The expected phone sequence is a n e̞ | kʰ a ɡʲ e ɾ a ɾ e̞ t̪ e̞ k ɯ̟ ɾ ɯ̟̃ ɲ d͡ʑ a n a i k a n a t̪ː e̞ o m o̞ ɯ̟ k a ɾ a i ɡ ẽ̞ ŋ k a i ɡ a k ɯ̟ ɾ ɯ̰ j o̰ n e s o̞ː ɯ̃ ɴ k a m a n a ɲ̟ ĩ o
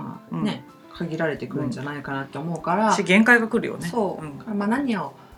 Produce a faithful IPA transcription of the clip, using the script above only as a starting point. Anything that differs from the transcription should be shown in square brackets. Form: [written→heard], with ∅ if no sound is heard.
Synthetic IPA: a n e̞ | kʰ a ɡʲ [e→i] ɾ a ɾ e̞ t̪ e̞ k ɯ̟ ɾ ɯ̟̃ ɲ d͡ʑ a n a i k a n a t̪ː e̞ o m o̞ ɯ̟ k a ɾ a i ɡ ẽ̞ ŋ k a i ɡ a k ɯ̟ ɾ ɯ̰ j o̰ n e s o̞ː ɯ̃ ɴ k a m a n a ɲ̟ [ĩ→i] o